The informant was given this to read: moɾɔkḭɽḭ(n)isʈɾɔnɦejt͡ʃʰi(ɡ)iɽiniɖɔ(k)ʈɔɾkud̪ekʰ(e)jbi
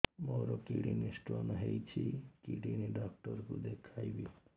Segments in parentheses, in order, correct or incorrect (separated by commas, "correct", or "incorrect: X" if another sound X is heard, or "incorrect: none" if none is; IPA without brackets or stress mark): correct, incorrect: k, correct, incorrect: a